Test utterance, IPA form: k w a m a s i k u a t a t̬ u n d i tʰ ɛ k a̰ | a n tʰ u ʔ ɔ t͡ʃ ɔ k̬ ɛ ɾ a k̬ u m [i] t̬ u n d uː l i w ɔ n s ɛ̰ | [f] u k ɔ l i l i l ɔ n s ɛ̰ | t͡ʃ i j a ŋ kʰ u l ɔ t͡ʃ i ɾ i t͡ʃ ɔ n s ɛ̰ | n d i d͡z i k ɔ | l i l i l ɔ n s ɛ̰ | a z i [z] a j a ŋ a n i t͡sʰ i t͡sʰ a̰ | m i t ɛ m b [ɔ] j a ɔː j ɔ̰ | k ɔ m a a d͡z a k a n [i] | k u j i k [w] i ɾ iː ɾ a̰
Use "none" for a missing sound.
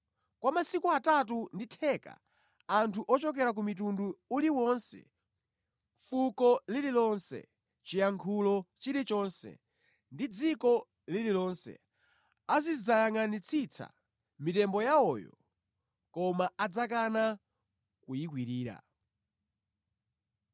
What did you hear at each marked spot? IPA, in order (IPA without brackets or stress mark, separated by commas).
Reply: i, f, z, ɔ, a, w